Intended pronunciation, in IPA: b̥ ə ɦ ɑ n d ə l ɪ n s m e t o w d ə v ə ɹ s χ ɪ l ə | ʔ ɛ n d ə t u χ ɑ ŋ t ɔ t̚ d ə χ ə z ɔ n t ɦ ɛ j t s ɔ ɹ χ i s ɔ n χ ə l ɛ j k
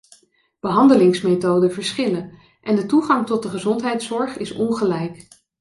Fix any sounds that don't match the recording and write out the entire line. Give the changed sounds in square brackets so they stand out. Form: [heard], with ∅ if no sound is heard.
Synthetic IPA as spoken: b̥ ə ɦ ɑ n d ə l ɪ [ŋ] s m e t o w d ə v ə ɹ s χ ɪ l ə | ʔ ɛ n d ə t u χ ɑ ŋ t ɔ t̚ d ə χ ə z ɔ n t ɦ ɛ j t s ɔ ɹ χ [ɪ] s ɔ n χ ə l ɛ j k